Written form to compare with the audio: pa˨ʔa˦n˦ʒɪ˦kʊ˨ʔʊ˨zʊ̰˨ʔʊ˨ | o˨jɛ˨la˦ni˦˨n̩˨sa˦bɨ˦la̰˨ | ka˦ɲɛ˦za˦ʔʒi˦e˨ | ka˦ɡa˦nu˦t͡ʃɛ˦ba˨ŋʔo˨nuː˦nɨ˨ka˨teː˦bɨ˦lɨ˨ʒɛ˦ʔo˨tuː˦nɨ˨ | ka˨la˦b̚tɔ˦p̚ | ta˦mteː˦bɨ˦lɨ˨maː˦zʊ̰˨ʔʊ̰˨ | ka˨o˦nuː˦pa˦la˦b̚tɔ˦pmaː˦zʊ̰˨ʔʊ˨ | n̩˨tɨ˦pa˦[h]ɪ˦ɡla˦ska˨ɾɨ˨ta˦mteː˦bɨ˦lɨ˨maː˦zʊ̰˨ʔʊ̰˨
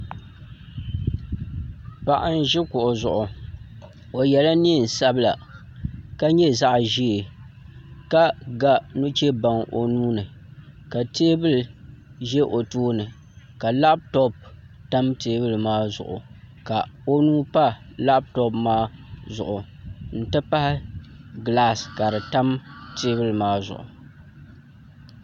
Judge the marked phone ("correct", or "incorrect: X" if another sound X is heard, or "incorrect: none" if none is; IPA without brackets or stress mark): correct